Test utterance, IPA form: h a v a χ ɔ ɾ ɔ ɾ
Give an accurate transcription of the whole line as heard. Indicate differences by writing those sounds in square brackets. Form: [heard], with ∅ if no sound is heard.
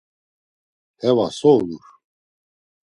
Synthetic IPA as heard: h [ɛ] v a [s] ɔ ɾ [u] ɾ

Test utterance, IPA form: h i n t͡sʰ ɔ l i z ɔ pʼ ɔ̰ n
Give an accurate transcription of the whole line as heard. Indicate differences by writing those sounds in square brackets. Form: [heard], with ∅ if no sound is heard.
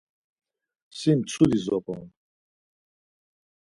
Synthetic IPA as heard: [s] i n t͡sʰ [u] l i z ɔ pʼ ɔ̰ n

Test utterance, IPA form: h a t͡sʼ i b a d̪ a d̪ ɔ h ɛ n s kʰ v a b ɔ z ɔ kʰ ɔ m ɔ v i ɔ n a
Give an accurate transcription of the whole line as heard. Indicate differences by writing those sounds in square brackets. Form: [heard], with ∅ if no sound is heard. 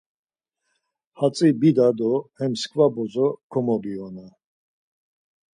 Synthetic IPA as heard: h a t͡sʼ i b [i] d̪ a d̪ ɔ h ɛ [m] s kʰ v a b ɔ z ɔ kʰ ɔ m ɔ [b] i ɔ n a

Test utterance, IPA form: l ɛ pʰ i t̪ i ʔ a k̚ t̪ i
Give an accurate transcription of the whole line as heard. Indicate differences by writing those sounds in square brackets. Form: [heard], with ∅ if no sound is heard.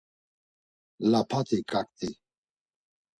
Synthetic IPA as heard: l [a] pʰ [a] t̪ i [k] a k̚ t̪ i

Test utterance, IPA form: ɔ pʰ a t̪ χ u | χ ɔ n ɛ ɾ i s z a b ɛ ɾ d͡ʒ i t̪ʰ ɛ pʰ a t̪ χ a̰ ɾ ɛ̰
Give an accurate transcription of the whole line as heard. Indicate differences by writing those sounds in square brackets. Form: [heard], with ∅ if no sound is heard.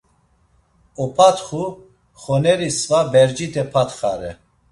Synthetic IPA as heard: ɔ pʰ a t̪ χ u | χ ɔ n ɛ ɾ i s [v] a b ɛ ɾ d͡ʒ i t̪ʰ ɛ pʰ a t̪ χ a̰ ɾ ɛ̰

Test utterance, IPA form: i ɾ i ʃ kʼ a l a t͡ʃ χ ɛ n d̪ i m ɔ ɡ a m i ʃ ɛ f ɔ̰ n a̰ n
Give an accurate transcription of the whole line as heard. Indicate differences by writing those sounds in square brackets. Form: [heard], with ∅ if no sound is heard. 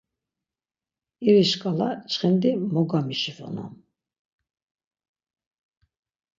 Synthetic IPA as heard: i ɾ i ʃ kʼ a l a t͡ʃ χ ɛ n d̪ i m ɔ ɡ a m i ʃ [i] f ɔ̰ n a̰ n

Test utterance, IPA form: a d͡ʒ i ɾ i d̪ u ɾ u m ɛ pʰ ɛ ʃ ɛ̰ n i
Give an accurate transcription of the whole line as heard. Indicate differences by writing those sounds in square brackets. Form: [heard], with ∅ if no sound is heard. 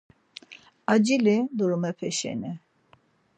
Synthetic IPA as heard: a d͡ʒ i [l] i d̪ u ɾ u m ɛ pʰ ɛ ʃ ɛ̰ n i

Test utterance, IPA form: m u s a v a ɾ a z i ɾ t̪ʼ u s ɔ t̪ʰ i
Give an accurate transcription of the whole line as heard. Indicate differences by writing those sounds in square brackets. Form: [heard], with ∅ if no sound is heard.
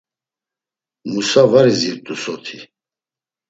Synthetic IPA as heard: m u s a v a ɾ [i] z i ɾ t̪ʼ u s ɔ t̪ʰ i

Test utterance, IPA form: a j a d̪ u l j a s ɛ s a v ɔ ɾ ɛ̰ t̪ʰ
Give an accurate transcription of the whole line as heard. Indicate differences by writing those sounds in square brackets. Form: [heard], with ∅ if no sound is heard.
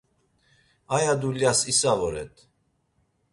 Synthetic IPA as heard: a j a d̪ u l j a s [i] s a v ɔ ɾ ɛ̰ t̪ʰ

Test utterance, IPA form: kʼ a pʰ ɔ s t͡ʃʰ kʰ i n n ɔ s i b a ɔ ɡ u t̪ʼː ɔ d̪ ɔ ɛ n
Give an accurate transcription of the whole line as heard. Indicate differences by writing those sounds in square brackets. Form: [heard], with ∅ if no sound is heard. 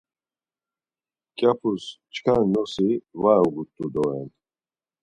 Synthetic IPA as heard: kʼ a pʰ [u] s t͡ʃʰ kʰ [a] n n ɔ s i [v] a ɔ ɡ u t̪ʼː [u] d̪ ɔ ɛ n

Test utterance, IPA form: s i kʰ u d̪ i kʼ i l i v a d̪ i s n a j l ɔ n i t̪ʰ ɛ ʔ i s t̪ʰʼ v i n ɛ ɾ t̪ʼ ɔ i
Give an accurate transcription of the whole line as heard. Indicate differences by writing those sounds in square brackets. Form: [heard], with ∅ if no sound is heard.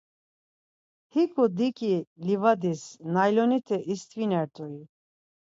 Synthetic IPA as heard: [h] i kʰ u d̪ i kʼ i l i v a d̪ i s n a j l ɔ n i t̪ʰ ɛ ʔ i s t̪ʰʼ v i n ɛ ɾ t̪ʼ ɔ i

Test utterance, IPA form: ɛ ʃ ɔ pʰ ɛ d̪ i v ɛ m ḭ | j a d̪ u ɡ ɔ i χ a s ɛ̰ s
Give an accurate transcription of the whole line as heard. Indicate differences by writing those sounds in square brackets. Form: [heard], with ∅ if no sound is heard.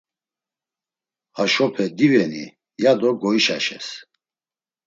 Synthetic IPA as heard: [a] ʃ ɔ pʰ ɛ d̪ i v ɛ [n] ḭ | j a d̪ [ɔ] ɡ ɔ i [ʃ] a [ʃ] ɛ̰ s

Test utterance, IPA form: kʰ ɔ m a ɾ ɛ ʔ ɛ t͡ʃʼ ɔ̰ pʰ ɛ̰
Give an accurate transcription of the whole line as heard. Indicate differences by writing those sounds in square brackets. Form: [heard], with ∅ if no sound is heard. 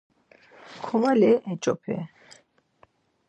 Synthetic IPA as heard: kʰ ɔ m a [l] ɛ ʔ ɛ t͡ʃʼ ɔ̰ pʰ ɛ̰

